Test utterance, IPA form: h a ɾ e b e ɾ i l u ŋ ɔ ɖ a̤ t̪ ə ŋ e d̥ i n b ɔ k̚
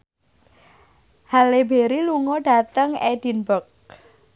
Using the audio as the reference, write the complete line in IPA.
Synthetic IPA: h a l e b e ɾ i l u ŋ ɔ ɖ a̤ t̪ ə ŋ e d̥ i n b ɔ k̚